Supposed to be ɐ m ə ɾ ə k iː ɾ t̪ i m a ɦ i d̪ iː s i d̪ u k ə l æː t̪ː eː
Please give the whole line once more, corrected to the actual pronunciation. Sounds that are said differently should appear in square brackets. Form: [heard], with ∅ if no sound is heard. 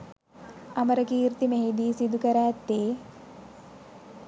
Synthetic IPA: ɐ m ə ɾ ə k iː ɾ t̪ i m [e] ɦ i d̪ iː s i d̪ u k ə [ɾ] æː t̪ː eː